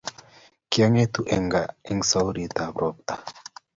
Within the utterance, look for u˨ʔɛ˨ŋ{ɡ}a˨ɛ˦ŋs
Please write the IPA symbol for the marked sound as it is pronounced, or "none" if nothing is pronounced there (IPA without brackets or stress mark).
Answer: ɡ